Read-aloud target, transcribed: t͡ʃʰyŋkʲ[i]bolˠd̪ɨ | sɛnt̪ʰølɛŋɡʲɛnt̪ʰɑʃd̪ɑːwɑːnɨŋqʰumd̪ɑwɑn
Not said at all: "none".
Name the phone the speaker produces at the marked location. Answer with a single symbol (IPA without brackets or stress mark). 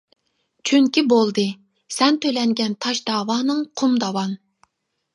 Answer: i